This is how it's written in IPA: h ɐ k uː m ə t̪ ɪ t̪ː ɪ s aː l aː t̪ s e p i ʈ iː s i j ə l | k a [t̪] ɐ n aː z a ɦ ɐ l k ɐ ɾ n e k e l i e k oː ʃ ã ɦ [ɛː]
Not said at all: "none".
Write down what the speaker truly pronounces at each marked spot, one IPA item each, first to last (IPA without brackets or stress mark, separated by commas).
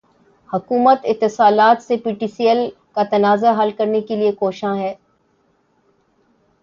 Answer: t̪, ɛː